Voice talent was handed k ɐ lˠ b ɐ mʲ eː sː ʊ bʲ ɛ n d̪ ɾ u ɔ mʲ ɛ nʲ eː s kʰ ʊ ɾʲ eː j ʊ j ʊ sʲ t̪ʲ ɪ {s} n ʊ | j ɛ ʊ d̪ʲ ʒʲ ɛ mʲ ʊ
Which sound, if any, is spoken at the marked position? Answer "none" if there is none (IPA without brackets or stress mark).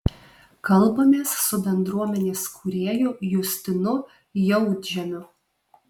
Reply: none